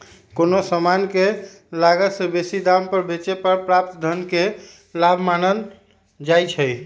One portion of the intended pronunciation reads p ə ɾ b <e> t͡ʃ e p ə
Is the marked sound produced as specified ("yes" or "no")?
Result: yes